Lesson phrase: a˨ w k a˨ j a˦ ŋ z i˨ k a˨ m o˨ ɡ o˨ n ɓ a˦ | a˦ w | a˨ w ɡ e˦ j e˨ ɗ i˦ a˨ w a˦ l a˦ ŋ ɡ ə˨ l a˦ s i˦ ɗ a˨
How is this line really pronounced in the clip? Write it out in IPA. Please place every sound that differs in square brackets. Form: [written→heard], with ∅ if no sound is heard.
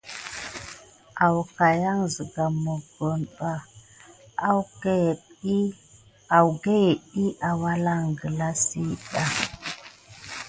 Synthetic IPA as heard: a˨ w k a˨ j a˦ ŋ z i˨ [k→ɡ] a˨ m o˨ ɡ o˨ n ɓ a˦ | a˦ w | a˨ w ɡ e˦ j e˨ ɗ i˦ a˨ w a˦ l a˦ ŋ ɡ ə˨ l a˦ s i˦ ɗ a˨